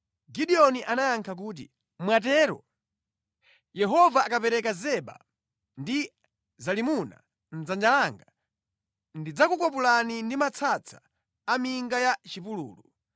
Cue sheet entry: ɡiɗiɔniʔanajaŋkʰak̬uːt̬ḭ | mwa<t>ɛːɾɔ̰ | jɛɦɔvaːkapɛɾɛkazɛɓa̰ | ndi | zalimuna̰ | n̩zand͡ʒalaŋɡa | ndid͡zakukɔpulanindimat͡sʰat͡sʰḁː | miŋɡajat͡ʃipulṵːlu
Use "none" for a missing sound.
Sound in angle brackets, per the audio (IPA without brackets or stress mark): t